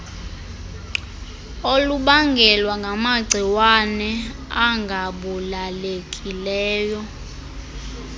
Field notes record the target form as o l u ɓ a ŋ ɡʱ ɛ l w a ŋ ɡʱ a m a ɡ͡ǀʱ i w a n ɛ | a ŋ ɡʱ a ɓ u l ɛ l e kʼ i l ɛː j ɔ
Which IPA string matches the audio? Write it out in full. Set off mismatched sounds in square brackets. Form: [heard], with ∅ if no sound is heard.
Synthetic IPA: o l u ɓ a ŋ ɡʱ ɛ l w a ŋ ɡʱ a m a ɡ͡ǀʱ i w a n ɛ | a ŋ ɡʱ a ɓ u l [a] l e kʼ i l ɛː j ɔ